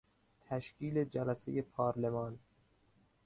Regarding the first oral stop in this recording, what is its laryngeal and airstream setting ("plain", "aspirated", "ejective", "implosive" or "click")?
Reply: aspirated